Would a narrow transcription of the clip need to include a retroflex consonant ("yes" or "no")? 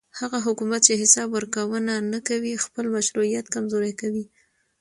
no